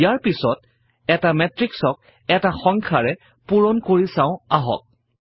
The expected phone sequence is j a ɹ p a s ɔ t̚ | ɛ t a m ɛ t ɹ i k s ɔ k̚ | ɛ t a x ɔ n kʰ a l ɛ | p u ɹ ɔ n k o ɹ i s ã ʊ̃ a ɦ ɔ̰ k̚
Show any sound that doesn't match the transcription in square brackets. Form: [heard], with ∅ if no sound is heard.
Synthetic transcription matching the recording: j a ɹ p [i] s ɔ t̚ | ɛ t a m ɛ t ɹ i k s ɔ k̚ | ɛ t a x ɔ [ŋ] kʰ a [ɹ] ɛ | p u ɹ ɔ n k o ɹ i s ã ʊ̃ a ɦ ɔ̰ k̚